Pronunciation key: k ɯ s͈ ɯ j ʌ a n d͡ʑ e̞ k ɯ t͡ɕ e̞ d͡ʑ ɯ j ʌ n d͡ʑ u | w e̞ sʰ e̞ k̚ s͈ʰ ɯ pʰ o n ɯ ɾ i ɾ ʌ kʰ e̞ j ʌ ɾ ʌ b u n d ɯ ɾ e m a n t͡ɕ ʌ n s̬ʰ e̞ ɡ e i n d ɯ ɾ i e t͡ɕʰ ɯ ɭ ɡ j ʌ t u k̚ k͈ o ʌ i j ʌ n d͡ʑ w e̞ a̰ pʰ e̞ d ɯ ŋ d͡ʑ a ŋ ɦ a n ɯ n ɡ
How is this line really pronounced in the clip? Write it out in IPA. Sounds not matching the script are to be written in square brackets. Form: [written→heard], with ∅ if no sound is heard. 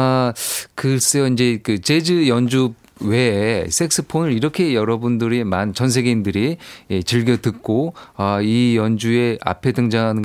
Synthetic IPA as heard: k ɯ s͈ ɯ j ʌ [a→i] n d͡ʑ e̞ k ɯ t͡ɕ e̞ d͡ʑ ɯ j ʌ n d͡ʑ u | w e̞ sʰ e̞ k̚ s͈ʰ ɯ pʰ o n ɯ ɾ i ɾ ʌ kʰ e̞ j ʌ ɾ ʌ b u n d ɯ ɾ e m a n t͡ɕ ʌ n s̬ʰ e̞ ɡ e i n d ɯ ɾ i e [t͡ɕʰ→t͡ɕ] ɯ ɭ ɡ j ʌ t [u→ɯ] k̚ k͈ o ʌ i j ʌ n d͡ʑ [w→u] e̞ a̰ pʰ e̞ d ɯ ŋ d͡ʑ a ŋ ɦ a n ɯ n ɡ